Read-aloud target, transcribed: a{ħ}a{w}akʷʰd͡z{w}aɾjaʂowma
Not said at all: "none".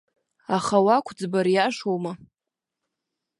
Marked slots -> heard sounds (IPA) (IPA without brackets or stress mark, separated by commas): χ, w, b